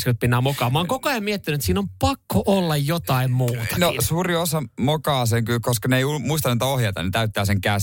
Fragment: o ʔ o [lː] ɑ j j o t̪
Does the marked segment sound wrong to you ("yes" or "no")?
no